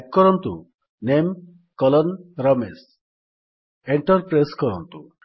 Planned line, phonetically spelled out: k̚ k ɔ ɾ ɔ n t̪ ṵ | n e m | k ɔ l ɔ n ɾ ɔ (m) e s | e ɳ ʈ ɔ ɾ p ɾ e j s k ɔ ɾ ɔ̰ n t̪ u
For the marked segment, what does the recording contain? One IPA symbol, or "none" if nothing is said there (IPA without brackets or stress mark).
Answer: m